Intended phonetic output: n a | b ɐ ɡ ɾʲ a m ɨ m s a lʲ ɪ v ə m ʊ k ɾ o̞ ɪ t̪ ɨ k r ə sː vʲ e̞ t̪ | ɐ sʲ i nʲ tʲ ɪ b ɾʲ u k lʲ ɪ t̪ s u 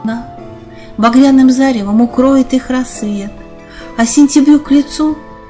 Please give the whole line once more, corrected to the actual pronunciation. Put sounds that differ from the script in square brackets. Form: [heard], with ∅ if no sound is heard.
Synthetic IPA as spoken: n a | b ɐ ɡ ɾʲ a [n] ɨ m [z] a [ɾʲ] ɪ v ə m ʊ k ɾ o̞ ɪ t̪ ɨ [x] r [ɐ] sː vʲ e̞ t̪ | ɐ sʲ [ɪ] nʲ tʲ ɪ b ɾʲ u k lʲ ɪ t̪ s u